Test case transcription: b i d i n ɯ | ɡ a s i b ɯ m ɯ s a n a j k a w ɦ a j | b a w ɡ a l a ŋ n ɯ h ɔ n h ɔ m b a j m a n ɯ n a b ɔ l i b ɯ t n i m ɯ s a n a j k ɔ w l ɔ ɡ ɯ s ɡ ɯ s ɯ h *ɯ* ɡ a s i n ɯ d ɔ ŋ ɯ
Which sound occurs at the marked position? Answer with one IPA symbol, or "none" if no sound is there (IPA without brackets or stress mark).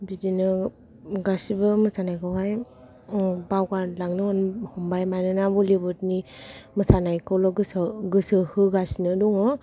ɯ